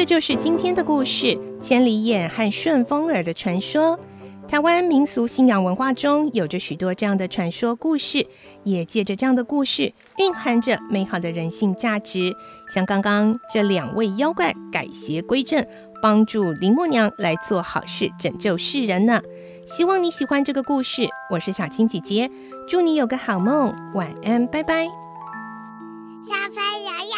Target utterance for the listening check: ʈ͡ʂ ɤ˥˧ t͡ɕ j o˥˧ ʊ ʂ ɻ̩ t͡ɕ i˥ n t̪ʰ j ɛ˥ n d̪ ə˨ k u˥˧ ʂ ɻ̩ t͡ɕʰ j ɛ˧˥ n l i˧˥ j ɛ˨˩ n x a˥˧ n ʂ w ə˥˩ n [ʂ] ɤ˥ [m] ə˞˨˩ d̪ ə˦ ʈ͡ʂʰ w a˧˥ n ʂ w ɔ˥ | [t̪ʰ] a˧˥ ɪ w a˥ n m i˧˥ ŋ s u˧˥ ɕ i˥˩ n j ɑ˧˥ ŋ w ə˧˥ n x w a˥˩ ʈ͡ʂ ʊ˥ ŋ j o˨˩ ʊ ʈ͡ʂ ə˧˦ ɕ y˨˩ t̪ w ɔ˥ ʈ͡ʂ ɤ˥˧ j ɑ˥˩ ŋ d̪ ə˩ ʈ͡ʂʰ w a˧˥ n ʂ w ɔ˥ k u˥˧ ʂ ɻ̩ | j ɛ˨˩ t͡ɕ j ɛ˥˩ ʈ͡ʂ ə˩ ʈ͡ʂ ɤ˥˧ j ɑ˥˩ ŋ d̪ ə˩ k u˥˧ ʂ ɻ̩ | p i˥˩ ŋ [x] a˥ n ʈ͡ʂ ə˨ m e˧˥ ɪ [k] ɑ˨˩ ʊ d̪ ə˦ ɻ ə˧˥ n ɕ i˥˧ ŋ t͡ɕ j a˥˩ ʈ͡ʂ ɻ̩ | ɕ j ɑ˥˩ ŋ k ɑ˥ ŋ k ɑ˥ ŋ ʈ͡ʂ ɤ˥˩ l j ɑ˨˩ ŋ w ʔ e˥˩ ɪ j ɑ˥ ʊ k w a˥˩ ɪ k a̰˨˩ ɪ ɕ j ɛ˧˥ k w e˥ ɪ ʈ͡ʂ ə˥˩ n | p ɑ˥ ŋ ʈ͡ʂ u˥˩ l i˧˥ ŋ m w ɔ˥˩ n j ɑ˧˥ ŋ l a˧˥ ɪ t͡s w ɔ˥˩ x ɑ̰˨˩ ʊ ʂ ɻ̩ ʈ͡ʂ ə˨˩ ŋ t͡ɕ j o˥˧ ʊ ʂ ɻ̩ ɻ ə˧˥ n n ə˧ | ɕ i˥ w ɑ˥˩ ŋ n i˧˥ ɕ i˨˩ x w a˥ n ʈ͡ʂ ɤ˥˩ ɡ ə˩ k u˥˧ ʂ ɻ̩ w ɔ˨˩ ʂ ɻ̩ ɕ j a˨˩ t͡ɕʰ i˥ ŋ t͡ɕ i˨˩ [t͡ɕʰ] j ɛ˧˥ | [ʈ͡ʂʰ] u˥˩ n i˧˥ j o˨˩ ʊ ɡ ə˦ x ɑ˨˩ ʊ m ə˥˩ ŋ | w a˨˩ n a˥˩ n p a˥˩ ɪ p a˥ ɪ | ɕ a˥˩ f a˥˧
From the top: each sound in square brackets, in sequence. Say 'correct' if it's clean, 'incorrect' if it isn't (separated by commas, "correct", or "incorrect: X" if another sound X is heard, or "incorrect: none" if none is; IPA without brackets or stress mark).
incorrect: f, incorrect: ŋ, correct, correct, incorrect: x, incorrect: t͡ɕ, incorrect: ʈ͡ʂ